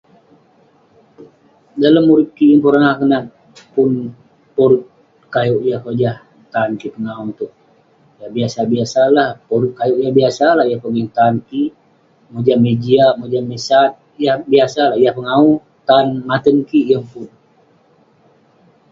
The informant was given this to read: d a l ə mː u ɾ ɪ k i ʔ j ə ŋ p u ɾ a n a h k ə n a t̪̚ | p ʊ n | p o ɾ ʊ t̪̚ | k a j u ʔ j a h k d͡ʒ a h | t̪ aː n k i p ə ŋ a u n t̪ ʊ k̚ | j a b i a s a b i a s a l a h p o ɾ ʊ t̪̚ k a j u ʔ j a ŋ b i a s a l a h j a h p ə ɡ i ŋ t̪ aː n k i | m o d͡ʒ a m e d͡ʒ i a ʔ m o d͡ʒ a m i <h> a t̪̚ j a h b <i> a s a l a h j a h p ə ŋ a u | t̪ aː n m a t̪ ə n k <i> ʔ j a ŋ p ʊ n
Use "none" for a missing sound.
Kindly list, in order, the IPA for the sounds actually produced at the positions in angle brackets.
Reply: s, i, i

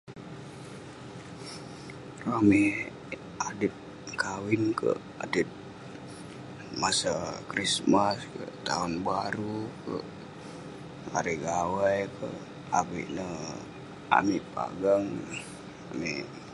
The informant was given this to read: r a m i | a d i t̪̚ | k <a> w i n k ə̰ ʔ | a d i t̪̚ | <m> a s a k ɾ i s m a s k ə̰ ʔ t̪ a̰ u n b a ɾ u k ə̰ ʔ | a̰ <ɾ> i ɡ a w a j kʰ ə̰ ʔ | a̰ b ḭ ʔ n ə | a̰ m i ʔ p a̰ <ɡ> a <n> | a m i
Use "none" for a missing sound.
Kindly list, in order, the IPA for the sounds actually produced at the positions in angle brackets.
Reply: a, m, ɾ, ɡ, ŋ

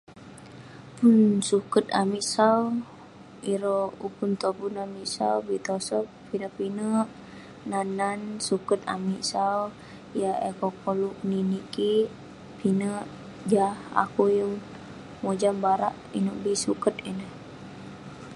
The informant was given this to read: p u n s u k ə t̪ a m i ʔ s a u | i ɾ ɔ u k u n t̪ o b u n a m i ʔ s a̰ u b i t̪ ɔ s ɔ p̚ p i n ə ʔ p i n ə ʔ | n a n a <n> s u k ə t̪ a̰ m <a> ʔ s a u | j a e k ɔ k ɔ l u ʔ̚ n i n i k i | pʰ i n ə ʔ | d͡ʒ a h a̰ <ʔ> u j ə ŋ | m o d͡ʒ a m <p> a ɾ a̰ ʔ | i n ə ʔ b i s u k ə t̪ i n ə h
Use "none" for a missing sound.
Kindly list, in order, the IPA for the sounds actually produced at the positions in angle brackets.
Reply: n, i, k, b

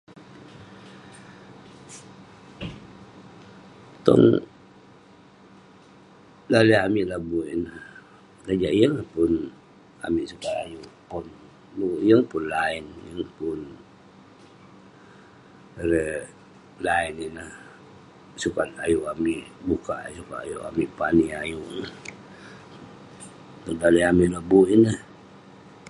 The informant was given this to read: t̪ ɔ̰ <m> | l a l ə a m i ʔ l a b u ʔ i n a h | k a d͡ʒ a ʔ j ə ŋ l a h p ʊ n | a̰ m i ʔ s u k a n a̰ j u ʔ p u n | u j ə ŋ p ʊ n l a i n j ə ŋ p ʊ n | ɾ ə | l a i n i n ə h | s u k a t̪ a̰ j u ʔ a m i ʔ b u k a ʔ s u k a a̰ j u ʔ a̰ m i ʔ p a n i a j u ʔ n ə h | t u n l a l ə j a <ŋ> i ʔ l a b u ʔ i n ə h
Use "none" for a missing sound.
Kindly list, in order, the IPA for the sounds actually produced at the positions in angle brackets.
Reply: ŋ, m

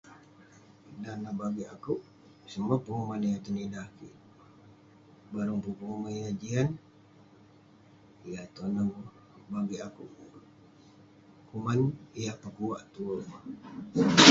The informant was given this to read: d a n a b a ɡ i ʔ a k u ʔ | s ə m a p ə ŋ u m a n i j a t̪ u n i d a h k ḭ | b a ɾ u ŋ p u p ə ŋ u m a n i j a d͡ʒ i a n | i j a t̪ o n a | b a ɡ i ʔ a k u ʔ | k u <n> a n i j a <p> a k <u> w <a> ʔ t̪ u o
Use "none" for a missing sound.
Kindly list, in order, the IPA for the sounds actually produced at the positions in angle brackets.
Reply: m, p, u, a

